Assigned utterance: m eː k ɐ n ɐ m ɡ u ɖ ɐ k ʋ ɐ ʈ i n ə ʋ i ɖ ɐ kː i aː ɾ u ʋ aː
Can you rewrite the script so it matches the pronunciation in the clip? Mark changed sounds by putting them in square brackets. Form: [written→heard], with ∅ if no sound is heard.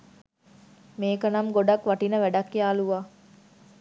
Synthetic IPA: m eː k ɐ n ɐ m ɡ [u→o] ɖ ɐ k ʋ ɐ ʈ i n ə ʋ [i→æ] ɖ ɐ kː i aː [ɾ→l] u ʋ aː